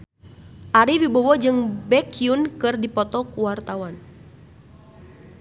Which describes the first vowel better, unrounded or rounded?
unrounded